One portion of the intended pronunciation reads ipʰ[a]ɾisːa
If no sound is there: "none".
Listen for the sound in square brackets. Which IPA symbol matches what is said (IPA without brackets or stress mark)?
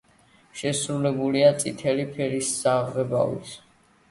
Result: ɛ